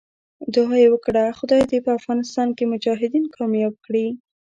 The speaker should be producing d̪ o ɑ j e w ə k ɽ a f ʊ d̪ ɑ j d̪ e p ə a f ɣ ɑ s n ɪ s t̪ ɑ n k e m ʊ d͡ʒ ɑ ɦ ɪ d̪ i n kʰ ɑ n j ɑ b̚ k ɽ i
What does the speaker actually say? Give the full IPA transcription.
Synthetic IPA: d̪ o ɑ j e w ə k ɽ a x ʊ d̪ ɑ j d̪ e p ə a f ɣ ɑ n ɪ s t̪ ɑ n k e m ʊ d͡ʒ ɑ ɦ ɪ d̪ i n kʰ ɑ m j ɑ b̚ k ɽ i